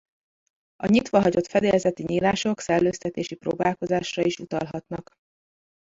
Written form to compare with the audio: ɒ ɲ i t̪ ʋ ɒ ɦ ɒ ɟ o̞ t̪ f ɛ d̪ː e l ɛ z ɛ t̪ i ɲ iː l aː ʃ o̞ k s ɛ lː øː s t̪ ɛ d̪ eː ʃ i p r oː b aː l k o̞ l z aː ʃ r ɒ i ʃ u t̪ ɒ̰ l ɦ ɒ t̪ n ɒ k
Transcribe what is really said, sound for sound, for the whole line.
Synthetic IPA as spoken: ɒ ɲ i t̪ ʋ ɒ ɦ ɒ ɟ o̞ t̪ f ɛ d̪ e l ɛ z ɛ t̪ i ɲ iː l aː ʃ o̞ k s ɛ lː øː s t̪ ɛ t̪ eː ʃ i p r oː b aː l k o̞ z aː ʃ r ɒ i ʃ u t̪ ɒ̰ l ɦ ɒ t̪ n ɒ k